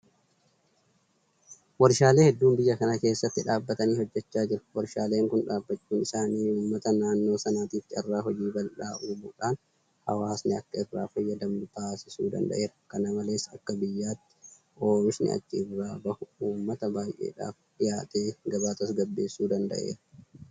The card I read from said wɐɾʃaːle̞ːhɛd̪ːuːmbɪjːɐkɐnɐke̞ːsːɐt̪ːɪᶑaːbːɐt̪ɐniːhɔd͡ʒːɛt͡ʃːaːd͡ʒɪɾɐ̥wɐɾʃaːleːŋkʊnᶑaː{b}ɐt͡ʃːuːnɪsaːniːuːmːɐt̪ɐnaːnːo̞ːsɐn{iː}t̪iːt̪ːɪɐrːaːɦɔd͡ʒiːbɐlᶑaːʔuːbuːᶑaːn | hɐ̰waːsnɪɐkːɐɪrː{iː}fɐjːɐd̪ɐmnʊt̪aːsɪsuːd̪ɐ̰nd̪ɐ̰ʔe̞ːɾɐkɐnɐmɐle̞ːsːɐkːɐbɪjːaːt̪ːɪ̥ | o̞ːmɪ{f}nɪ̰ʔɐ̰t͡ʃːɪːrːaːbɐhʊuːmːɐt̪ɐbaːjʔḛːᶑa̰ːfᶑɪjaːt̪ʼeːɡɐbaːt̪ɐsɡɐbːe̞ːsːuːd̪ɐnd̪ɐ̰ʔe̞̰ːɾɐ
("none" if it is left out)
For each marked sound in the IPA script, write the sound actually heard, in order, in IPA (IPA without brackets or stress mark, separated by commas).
bː, aː, aː, ʃ